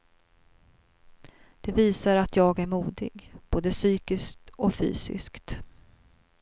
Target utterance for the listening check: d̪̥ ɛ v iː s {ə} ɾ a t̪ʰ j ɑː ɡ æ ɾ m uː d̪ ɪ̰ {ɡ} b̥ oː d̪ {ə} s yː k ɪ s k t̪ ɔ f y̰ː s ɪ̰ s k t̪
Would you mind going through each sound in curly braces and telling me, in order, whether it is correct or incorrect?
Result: incorrect, correct, correct

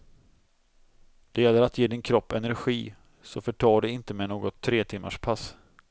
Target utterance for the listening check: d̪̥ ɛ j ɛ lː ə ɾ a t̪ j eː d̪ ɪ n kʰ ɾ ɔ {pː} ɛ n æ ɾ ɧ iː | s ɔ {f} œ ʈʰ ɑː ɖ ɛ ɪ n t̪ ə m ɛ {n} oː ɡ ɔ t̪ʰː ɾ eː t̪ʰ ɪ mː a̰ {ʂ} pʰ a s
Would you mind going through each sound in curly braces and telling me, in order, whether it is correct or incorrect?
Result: correct, correct, correct, correct

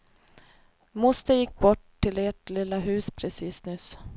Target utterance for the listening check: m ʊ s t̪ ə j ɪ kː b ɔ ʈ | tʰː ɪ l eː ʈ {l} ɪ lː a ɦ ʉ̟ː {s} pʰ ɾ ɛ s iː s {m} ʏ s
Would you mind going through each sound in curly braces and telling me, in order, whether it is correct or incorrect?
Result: correct, correct, incorrect

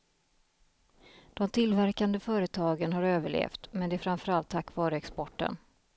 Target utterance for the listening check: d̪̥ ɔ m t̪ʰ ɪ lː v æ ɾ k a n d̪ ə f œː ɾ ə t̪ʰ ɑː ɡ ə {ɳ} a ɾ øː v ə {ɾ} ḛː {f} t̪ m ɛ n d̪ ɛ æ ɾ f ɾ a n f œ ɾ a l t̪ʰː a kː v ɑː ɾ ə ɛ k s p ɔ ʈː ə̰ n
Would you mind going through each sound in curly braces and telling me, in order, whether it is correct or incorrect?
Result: incorrect, incorrect, correct

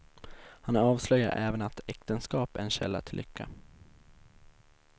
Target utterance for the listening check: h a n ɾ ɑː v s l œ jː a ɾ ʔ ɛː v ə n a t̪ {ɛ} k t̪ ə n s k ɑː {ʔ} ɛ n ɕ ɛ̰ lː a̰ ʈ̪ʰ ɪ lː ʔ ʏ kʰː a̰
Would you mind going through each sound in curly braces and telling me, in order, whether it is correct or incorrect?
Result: correct, incorrect

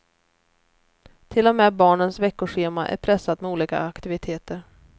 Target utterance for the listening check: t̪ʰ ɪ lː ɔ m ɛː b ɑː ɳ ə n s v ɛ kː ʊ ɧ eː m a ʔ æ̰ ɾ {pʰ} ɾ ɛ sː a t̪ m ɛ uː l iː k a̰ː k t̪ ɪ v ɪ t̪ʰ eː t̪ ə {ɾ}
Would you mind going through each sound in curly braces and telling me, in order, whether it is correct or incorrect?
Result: correct, correct

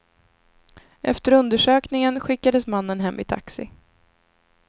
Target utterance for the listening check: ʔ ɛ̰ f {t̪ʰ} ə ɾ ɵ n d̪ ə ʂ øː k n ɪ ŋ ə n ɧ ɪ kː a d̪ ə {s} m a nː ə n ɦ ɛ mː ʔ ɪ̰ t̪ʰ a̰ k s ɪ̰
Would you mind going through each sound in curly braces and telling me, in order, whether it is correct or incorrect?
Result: incorrect, correct

